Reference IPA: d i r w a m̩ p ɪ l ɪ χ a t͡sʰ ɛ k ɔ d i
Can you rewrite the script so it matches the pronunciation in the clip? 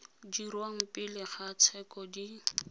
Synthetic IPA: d i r w a ŋ̩ p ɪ l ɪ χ a t͡sʰ ɛ k ɔ d i